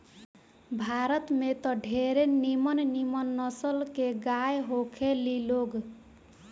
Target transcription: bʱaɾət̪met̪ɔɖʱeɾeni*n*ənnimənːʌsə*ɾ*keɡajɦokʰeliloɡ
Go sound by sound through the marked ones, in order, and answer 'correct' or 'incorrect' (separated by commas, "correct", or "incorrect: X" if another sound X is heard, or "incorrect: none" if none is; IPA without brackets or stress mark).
incorrect: m, incorrect: l